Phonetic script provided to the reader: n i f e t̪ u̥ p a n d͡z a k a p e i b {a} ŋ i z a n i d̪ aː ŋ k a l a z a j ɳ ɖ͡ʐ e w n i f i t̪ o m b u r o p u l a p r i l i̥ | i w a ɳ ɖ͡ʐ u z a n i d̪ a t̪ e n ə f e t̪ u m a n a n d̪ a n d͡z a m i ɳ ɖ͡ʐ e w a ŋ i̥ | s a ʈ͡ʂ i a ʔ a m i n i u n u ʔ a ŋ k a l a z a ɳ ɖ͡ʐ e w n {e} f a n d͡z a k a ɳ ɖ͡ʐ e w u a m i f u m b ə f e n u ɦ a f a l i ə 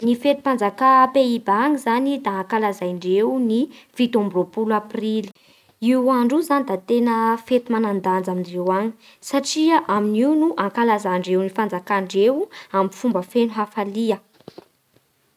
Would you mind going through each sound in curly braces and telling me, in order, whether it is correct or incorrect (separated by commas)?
correct, incorrect